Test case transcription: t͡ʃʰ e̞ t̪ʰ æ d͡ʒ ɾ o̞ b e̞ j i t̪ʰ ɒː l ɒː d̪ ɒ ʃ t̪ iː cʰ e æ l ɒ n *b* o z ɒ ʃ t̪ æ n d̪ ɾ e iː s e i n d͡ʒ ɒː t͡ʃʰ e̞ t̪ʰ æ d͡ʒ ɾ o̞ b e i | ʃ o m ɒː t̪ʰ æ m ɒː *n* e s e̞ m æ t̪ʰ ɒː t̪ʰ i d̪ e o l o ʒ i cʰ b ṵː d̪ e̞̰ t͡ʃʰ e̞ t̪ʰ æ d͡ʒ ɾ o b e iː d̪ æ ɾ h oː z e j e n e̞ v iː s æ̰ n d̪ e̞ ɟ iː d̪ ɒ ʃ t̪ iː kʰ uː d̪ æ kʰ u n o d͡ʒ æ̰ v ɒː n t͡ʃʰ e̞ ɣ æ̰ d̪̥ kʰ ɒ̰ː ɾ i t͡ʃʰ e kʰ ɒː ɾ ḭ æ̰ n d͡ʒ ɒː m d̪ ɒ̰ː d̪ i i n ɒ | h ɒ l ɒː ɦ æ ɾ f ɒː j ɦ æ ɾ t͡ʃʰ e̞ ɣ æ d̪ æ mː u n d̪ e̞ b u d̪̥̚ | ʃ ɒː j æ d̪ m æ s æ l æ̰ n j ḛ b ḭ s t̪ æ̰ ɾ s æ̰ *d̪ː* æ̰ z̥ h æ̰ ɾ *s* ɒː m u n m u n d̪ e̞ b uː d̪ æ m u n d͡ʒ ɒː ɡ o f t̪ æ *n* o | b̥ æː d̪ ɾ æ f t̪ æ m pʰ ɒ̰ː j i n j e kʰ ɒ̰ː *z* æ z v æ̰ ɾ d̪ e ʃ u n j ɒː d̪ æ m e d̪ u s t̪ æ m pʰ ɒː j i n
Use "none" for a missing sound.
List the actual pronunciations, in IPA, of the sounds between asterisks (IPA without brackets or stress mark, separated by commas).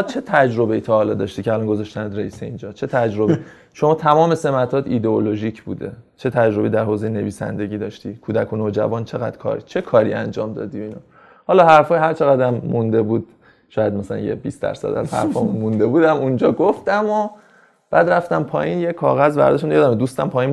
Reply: ɡ, m, d̪, f, m, ɣ